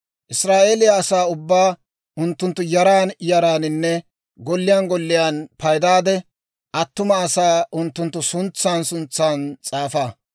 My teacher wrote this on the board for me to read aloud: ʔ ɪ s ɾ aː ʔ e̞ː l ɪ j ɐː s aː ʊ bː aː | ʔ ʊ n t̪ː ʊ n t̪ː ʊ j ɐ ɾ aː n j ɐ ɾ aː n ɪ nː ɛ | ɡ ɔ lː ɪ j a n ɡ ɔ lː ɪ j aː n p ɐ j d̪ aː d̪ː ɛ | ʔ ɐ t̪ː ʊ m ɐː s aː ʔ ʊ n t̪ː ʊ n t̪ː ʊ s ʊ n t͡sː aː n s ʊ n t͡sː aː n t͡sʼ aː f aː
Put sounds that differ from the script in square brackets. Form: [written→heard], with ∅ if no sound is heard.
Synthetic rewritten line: ʔ ɪ s ɾ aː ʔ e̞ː l ɪ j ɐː s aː ʊ bː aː | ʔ ʊ n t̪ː ʊ n t̪ː ʊ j ɐ ɾ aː n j ɐ ɾ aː n ɪ nː ɛ | ɡ ɔ lː ɪ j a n ɡ ɔ lː ɪ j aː n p ɐ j d̪ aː [d̪ː→d̪] ɛ | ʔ ɐ t̪ː ʊ m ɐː s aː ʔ ʊ n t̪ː ʊ n t̪ː ʊ s ʊ n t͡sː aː n s ʊ n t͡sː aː n t͡sʼ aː f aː

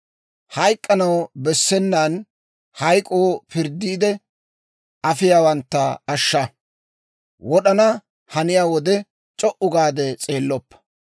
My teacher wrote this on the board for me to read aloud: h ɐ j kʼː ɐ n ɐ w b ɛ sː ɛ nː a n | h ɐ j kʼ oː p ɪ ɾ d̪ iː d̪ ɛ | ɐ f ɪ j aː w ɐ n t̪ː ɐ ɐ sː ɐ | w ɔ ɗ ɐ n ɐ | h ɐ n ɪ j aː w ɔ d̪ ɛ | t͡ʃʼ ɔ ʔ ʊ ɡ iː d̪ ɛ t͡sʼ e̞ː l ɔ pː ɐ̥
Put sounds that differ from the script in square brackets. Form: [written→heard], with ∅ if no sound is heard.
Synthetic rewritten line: h ɐ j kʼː ɐ n ɐ w b ɛ sː ɛ nː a n | h ɐ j kʼ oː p ɪ ɾ d̪ iː d̪ ɛ | ɐ f ɪ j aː w ɐ n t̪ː ɐ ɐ [sː→ʃː] ɐ | w ɔ ɗ ɐ n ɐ | h ɐ n ɪ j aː w ɔ d̪ ɛ | t͡ʃʼ ɔ ʔ ʊ ɡ [iː→aː] d̪ ɛ t͡sʼ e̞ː [l→lː] ɔ pː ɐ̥

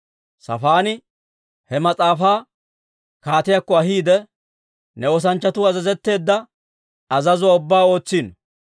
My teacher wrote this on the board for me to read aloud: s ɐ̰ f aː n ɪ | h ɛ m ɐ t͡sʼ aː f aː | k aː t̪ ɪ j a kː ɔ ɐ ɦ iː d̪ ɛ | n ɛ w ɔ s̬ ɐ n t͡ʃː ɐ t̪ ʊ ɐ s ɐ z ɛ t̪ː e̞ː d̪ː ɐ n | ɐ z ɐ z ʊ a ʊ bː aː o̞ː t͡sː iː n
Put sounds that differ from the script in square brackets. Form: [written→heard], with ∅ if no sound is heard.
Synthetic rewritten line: s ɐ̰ f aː n ɪ | h ɛ m ɐ t͡sʼ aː f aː | k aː t̪ ɪ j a kː ɔ ɐ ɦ iː d̪ ɛ | n ɛ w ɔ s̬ ɐ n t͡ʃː ɐ t̪ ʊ ɐ [s→z] ɐ z ɛ t̪ː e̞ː d̪ː ɐ [n→∅] | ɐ z ɐ z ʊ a ʊ bː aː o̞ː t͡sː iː n

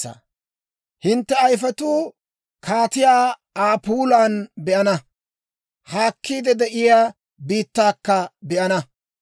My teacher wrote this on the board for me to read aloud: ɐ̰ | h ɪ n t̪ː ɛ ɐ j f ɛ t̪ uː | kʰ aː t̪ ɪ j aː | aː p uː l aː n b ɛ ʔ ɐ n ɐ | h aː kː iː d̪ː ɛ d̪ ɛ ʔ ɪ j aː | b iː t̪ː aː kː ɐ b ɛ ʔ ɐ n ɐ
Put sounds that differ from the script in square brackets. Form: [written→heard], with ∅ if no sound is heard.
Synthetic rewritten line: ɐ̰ | h ɪ n t̪ː ɛ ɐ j f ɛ t̪ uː | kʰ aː t̪ ɪ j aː | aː p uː l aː n b ɛ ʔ ɐ n ɐ | h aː kː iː [d̪ː→d̪] ɛ d̪ ɛ ʔ ɪ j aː | b iː t̪ː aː kː ɐ b ɛ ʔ ɐ n ɐ

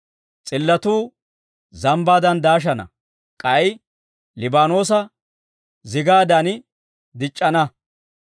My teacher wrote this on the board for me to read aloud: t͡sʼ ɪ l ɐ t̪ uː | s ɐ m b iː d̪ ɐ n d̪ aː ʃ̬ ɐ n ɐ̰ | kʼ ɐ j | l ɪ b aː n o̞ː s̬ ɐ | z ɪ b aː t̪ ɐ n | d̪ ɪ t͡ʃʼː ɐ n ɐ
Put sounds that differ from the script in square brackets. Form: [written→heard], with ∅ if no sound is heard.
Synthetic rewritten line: t͡sʼ ɪ [l→lː] ɐ t̪ uː | [s→z] ɐ m b [iː→aː] d̪ ɐ n d̪ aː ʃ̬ ɐ n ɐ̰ | kʼ ɐ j | l ɪ b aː n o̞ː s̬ ɐ | z ɪ [b→ɡ] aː [t̪→d̪] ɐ n | d̪ ɪ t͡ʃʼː ɐ n ɐ

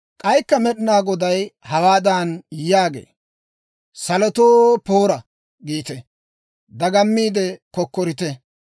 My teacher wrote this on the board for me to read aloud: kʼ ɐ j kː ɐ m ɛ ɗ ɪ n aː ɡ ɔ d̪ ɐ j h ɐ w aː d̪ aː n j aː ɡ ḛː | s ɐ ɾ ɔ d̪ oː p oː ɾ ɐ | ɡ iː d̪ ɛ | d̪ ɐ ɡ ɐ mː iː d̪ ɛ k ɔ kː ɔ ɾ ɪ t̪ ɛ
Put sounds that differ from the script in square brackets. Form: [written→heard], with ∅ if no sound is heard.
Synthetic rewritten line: kʼ ɐ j kː ɐ m ɛ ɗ ɪ n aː ɡ ɔ d̪ ɐ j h ɐ w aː d̪ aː n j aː ɡ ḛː | s ɐ [ɾ→l] ɔ [d̪→t̪] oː p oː ɾ ɐ | ɡ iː [d̪→t̪] ɛ | d̪ ɐ ɡ ɐ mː iː d̪ ɛ k ɔ kː ɔ ɾ ɪ t̪ ɛ

